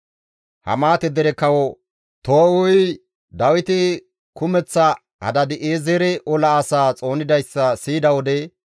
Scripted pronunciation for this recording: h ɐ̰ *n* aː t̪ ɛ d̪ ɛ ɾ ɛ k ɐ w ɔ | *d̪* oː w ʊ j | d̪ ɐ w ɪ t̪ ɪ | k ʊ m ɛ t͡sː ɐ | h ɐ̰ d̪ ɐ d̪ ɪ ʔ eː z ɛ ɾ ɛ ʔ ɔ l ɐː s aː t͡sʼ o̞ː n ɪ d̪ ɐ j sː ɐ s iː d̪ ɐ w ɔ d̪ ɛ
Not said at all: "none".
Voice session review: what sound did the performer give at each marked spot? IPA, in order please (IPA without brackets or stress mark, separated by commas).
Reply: m, t̪